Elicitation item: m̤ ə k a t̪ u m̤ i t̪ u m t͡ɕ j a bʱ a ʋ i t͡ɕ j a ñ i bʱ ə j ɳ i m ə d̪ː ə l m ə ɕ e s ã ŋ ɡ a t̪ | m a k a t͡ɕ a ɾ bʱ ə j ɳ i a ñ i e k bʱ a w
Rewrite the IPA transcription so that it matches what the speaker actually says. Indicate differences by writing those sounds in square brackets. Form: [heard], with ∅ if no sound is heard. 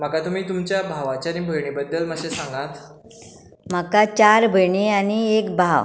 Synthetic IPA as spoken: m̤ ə k a t̪ u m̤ [iː] t̪ u m t͡ɕ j a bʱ a ʋ [a] t͡ɕ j a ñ i bʱ ə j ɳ i [b] ə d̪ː ə l m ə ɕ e s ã ŋ ɡ a t̪ | m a k a t͡ɕ a ɾ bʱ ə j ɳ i a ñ i e k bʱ a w